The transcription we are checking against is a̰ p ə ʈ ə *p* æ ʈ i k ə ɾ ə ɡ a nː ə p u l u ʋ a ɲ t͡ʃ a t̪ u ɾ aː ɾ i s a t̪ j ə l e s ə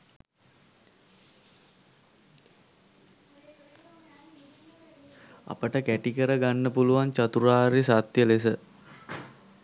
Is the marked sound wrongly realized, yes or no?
yes